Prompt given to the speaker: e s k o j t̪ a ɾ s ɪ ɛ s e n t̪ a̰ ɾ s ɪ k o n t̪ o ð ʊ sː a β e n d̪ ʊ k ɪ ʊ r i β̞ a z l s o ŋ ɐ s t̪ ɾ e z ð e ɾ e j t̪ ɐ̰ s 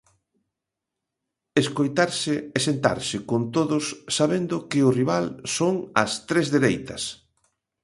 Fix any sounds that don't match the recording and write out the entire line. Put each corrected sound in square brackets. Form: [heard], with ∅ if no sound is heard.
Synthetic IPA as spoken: e s k o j t̪ a ɾ s ɪ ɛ s e n t̪ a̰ ɾ s ɪ k o n t̪ o ð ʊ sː a β e n d̪ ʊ k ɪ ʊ r i β̞ a [∅] l s o ŋ ɐ s t̪ ɾ e z ð e ɾ e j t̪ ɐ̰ s